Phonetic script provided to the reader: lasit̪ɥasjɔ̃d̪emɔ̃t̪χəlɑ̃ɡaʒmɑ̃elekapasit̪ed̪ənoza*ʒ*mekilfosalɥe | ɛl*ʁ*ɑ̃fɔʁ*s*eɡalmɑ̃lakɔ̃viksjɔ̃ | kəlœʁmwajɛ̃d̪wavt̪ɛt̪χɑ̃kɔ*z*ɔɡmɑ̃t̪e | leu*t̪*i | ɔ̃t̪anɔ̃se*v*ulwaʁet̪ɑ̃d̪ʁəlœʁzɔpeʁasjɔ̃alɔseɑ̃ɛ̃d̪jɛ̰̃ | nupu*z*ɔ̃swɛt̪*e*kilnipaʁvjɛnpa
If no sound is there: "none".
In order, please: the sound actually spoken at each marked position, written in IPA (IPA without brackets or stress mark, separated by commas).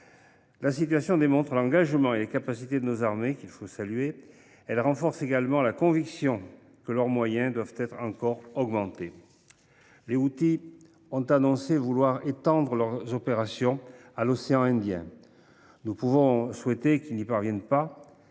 ʁ, ʁ, s, ʁ, t̪, v, v, e